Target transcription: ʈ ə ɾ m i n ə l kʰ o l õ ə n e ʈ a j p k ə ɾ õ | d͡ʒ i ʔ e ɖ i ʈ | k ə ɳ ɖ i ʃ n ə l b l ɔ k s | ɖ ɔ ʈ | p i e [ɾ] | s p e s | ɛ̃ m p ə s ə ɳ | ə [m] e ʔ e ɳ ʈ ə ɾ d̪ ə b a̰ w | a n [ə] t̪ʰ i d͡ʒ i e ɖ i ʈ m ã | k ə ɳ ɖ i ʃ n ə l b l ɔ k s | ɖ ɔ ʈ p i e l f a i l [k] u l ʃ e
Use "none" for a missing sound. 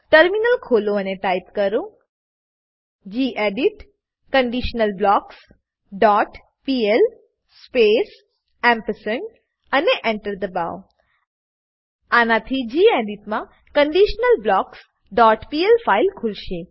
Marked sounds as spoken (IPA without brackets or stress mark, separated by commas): l, n, a, kʰ